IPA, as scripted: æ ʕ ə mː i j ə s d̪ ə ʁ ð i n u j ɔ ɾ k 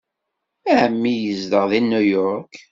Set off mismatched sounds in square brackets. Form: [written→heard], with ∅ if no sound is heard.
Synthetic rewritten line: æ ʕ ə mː i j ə [s→z] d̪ ə ʁ ð i n u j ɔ ɾ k